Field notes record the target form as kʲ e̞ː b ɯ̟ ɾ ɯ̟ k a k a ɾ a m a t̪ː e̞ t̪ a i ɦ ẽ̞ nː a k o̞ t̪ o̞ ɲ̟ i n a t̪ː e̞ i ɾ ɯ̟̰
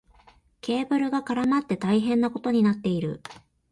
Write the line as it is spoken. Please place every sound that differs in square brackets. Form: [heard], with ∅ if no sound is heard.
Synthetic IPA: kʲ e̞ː b ɯ̟ ɾ ɯ̟ [ɡ] a k a ɾ a m a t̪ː e̞ t̪ a i ɦ ẽ̞ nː a k o̞ t̪ o̞ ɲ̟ i n a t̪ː e̞ i ɾ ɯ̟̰